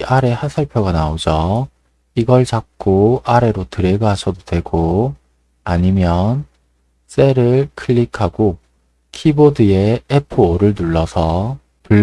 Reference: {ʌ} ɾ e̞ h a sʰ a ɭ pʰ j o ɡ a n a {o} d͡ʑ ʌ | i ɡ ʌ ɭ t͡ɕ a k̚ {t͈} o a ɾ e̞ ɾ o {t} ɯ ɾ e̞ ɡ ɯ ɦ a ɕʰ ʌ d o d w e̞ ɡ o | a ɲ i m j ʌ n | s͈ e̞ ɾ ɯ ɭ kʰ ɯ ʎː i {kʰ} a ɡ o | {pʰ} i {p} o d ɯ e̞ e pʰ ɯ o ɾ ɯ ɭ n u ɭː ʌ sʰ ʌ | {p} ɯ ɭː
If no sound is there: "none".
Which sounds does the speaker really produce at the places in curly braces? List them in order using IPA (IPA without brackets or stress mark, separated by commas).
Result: a, o, k͈, t, kʰ, kʰ, b, p